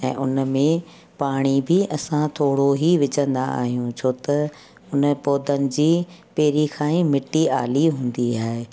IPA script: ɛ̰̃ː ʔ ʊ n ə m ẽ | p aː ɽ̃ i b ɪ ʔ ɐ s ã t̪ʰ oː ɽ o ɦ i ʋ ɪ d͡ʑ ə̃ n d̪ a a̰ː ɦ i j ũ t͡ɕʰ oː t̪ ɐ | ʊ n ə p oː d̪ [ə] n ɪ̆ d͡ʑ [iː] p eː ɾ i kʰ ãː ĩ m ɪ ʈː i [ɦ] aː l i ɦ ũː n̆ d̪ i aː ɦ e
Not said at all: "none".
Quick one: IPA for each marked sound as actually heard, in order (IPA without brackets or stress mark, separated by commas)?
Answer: ə, iː, none